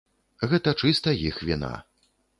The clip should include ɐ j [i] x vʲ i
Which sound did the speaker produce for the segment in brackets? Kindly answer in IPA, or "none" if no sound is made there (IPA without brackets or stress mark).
i